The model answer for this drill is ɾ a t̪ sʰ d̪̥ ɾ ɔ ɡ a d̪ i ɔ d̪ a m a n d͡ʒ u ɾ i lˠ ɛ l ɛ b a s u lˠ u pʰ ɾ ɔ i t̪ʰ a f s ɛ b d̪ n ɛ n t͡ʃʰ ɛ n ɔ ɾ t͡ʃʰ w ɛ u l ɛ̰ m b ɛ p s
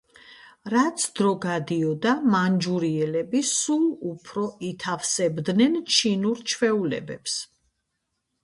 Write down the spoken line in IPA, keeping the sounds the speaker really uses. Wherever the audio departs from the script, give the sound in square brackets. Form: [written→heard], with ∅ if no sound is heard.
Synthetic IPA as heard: ɾ a t̪ sʰ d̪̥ ɾ ɔ ɡ a d̪ i ɔ d̪ a m a n d͡ʒ u ɾ i [lˠ→∅] ɛ l ɛ b [a→i] s u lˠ u pʰ ɾ ɔ i t̪ʰ a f s ɛ b d̪ n ɛ n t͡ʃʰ [ɛ→i] n [ɔ→u] ɾ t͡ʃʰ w ɛ u l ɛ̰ [m→∅] b ɛ p s